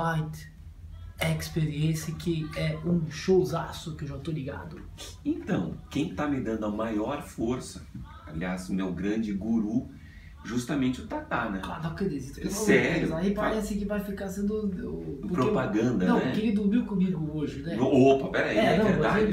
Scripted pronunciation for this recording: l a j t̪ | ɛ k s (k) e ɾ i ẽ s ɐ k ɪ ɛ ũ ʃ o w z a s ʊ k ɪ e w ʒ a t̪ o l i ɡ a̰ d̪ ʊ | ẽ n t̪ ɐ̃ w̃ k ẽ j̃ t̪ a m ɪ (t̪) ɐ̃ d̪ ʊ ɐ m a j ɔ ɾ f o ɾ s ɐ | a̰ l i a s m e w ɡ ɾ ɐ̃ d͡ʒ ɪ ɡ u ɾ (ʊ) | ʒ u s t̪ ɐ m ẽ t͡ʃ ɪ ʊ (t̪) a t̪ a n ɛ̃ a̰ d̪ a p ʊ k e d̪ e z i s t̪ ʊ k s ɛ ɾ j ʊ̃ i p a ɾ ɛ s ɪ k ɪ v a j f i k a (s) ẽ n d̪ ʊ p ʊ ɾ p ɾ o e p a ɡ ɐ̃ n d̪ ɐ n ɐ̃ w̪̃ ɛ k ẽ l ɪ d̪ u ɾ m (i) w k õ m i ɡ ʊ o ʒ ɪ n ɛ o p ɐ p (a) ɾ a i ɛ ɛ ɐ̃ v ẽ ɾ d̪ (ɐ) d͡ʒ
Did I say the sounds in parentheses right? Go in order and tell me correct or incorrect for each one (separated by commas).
incorrect, incorrect, incorrect, correct, correct, correct, incorrect, incorrect